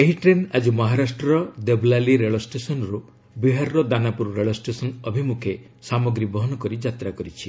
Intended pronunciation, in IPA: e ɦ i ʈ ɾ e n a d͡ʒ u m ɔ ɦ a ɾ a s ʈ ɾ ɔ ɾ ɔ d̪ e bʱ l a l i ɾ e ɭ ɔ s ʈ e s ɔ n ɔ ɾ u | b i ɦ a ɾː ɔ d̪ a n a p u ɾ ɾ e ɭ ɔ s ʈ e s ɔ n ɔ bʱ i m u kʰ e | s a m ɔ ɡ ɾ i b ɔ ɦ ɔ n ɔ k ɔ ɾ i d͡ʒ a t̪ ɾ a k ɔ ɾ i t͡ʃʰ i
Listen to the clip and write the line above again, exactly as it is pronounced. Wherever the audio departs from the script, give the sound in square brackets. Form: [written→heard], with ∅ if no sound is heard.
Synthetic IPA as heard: e ɦ i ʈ ɾ e n a d͡ʒ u m ɔ ɦ a ɾ a s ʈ ɾ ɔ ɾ ɔ d̪ e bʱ l a l i ɾ e ɭ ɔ s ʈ e s ɔ n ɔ ɾ u | b i ɦ a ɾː ɔ d̪ a n a p u ɾ ɾ e ɭ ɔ s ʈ e s ɔ n ɔ bʱ i m u kʰ e | s a m ɔ ɡ ɾ i b ɔ ɦ ɔ n ɔ k ɔ ɾ i d͡ʒ a t̪ ɾ a k ɔ ɾ i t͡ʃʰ i